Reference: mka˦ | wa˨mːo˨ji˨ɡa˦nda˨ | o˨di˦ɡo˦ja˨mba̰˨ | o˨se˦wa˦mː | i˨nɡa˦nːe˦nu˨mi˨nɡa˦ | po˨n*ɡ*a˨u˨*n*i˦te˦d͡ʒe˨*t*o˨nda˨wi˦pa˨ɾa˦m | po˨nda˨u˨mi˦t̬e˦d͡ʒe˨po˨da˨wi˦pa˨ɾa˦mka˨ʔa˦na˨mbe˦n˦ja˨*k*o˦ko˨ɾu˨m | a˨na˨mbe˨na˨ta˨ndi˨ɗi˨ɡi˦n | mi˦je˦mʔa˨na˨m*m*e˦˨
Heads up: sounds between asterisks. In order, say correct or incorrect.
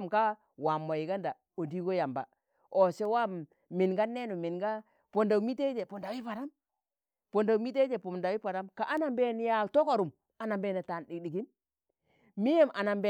incorrect: d, incorrect: m, incorrect: p, incorrect: t, incorrect: b

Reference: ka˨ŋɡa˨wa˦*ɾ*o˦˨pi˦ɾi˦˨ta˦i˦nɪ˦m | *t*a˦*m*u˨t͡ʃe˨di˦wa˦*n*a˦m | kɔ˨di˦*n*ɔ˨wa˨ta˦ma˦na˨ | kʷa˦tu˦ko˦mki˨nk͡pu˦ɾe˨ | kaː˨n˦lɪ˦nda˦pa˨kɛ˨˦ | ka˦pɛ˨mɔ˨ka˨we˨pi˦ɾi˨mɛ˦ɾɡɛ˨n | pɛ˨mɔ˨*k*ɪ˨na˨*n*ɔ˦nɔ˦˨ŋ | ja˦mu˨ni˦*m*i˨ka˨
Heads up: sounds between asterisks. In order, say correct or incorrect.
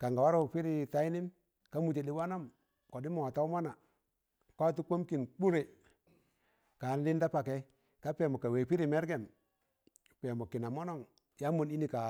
correct, incorrect: k, correct, correct, incorrect: m, correct, incorrect: m, incorrect: n

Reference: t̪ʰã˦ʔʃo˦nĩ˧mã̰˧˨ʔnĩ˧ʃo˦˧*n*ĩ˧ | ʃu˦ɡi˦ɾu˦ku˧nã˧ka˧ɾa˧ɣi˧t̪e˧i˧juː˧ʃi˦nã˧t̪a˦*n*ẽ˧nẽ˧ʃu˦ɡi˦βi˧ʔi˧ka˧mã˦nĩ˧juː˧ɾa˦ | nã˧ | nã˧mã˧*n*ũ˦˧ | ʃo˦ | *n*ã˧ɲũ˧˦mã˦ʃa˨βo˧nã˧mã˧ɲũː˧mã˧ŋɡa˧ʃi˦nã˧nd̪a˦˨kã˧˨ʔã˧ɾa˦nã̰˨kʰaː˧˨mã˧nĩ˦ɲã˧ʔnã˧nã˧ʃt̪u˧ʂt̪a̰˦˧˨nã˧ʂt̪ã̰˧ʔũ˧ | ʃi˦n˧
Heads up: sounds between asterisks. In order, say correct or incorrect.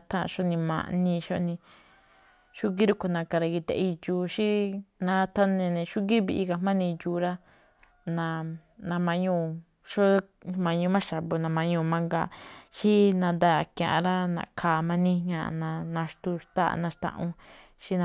correct, correct, incorrect: ɲ, incorrect: m

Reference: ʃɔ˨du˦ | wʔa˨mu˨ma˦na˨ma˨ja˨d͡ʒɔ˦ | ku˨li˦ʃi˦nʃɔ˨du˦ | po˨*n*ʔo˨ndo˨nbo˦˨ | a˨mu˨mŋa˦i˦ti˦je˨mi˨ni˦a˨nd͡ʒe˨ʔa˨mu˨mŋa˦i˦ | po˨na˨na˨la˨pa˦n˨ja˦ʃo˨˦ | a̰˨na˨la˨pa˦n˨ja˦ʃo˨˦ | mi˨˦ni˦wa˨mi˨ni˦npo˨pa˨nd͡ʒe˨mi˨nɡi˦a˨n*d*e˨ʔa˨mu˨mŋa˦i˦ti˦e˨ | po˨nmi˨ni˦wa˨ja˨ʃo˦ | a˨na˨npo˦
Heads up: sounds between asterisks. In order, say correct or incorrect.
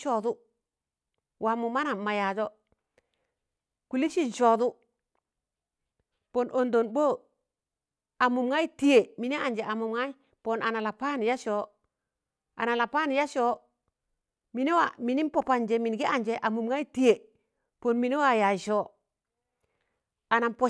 correct, incorrect: d͡ʒ

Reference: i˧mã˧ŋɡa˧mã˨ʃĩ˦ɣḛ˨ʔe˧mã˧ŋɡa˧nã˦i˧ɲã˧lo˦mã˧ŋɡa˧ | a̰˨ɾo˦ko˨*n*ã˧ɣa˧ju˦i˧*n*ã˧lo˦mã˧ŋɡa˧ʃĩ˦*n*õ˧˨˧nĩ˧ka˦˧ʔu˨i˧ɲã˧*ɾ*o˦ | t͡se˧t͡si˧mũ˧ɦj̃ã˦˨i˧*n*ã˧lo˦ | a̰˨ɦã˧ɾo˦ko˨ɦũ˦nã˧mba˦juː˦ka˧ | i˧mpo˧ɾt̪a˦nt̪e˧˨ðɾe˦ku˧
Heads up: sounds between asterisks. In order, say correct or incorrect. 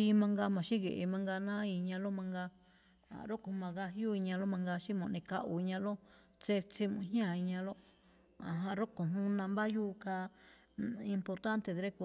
incorrect: m, incorrect: ɲ, incorrect: m, incorrect: l, incorrect: ɲ

